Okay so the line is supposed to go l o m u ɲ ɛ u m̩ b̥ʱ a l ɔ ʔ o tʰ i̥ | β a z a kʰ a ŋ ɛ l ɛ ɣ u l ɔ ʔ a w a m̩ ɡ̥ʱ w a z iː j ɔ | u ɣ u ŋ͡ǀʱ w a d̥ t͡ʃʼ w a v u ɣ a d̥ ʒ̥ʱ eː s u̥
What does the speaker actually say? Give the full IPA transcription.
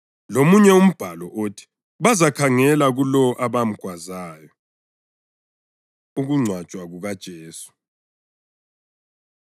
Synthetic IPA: l o m u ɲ ɛ u m̩ b̥ʱ a l ɔ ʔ o tʰ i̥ | β a z a kʰ a ŋ ɛ l a ɣ u l ɔ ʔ a β a m̩ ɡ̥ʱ w a z aː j ɔ | u ɣ u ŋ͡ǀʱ w a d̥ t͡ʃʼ w a ɣ u ɣ a d̥ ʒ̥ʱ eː s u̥